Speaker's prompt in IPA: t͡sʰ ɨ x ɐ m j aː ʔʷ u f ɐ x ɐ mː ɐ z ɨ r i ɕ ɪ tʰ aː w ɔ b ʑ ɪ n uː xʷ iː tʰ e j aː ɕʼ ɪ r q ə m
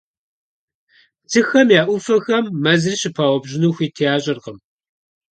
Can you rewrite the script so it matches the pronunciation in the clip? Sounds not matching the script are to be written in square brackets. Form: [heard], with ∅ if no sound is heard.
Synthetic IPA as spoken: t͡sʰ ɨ x ɐ m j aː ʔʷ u f ɐ x ɐ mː ɐ z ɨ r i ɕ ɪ [pʰ] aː w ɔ b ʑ ɪ n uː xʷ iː tʰ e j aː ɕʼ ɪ r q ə m